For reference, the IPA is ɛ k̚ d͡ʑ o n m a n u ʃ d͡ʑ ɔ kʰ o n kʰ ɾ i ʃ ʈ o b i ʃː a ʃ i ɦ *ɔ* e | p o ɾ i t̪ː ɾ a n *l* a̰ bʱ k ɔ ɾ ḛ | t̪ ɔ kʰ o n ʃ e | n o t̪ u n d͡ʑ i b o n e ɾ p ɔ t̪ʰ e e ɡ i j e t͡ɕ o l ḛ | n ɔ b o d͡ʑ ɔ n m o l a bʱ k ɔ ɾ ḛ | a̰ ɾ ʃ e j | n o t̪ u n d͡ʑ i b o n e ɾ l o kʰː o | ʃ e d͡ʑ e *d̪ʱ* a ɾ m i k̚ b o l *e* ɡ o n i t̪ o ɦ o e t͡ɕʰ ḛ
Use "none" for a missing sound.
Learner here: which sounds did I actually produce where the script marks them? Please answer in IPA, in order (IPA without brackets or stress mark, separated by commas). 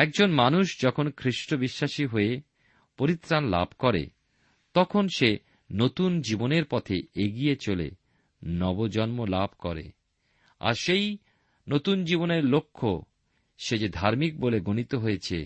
o, l, d̪ʱ, e